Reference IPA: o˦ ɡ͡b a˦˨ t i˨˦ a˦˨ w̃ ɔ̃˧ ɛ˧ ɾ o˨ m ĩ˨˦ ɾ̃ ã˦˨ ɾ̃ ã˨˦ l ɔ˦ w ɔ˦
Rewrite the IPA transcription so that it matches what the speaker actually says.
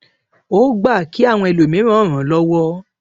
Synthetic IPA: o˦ ɡ͡b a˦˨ k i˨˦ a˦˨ w̃ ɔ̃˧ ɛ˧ l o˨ m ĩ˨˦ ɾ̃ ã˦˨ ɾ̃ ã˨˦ l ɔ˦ w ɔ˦